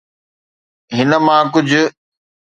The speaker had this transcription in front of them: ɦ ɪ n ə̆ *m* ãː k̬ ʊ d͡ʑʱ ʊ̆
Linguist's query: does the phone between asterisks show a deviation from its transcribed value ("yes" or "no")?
no